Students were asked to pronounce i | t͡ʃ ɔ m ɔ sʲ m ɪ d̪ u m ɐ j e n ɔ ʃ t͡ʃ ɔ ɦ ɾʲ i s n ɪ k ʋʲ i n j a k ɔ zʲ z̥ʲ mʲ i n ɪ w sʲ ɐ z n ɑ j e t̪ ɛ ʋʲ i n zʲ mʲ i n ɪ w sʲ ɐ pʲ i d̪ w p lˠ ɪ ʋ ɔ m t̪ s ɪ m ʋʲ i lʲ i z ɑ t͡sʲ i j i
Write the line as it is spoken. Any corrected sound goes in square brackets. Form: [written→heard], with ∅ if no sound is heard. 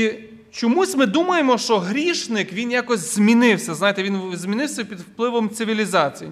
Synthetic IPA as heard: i | t͡ʃ ɔ m [ɔ→u] sʲ m ɪ d̪ u m ɐ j e [n→m] ɔ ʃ t͡ʃ ɔ ɦ ɾʲ i [s→ʃ] n ɪ k ʋʲ i n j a k ɔ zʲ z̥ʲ mʲ i n ɪ w sʲ ɐ z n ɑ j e t̪ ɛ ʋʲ i n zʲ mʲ i n ɪ w sʲ ɐ pʲ i d̪ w p lˠ ɪ ʋ ɔ m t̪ s ɪ [m→∅] ʋʲ i lʲ i z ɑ t͡sʲ i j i